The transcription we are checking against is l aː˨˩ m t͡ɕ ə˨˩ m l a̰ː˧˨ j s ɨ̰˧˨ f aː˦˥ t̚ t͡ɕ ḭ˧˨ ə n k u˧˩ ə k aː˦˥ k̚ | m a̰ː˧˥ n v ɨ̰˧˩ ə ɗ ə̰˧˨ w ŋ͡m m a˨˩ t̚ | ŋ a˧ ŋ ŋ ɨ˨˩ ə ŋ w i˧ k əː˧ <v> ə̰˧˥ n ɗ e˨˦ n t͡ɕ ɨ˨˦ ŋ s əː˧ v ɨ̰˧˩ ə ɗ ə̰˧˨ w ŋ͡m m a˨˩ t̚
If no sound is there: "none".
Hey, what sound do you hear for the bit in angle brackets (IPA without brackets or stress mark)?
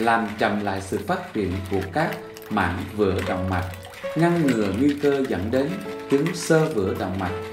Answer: z